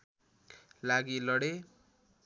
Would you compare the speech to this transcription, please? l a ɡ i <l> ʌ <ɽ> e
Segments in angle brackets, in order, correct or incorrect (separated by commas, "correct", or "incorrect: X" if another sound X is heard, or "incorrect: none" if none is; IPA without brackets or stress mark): correct, correct